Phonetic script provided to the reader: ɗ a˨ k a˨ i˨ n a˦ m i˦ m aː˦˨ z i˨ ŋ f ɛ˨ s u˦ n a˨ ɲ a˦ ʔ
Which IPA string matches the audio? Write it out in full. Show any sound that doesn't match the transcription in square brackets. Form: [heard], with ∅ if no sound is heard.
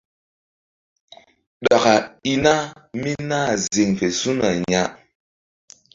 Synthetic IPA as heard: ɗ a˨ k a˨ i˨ n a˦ m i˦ [n] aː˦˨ z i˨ ŋ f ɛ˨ s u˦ n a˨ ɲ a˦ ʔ